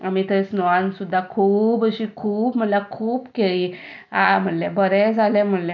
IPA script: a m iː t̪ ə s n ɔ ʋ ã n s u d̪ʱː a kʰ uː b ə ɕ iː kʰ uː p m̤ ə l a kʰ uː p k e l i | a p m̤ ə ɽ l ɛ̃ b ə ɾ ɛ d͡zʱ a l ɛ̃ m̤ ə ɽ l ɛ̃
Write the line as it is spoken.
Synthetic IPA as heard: a m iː t̪ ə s n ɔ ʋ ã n s u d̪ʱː a kʰ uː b ə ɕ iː kʰ uː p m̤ ə l a kʰ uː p k e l i | a m̤ ə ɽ l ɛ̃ b ə ɾ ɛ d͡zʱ a l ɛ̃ m̤ ə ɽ l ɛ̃